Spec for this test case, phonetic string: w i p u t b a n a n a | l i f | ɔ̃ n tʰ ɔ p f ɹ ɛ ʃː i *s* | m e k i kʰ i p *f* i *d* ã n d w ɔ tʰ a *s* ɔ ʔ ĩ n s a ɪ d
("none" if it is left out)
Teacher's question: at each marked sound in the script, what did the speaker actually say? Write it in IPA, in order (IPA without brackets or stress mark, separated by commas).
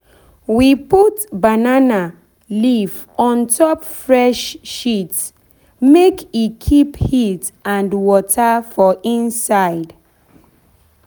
t, h, t, f